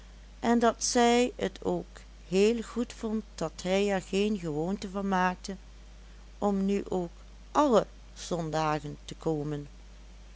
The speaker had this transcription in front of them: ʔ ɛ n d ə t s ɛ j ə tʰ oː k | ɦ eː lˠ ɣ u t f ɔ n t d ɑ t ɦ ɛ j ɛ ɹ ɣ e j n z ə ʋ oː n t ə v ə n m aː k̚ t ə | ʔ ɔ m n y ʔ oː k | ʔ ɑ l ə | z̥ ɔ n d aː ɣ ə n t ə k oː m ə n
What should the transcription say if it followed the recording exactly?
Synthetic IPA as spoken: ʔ ɛ n d ɑ t s ɛ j ə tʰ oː k | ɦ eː lˠ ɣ u t f ɔ n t d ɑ t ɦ ɛ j ɛ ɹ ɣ e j n ɣ ə ʋ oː n t ə v ɑ n m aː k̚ t ə | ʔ ɔ m n y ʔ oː k | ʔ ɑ l ə | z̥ ɔ n d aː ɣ ə n t ə k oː m ə n